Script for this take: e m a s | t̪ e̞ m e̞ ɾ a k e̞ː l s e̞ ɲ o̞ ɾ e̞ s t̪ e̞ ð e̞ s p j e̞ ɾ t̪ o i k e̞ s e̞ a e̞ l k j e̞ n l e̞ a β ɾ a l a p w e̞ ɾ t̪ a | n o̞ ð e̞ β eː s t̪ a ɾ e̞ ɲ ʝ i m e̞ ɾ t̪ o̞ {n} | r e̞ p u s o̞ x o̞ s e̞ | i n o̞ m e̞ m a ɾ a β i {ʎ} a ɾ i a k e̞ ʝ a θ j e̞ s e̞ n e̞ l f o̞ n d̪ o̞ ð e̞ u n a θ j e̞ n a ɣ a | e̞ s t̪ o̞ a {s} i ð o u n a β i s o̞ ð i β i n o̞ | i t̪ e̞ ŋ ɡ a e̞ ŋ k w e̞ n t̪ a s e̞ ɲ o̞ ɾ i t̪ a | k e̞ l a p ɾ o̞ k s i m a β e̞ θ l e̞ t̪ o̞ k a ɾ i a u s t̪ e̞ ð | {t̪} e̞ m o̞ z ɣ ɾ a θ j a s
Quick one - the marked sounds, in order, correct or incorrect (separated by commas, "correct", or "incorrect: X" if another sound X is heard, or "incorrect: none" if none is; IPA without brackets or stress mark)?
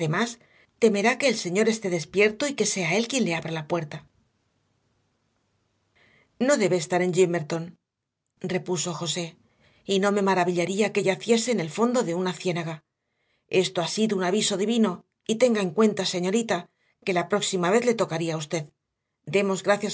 correct, correct, correct, incorrect: d̪